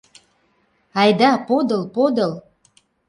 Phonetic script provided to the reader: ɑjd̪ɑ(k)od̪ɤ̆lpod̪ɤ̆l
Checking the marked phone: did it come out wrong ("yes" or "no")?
yes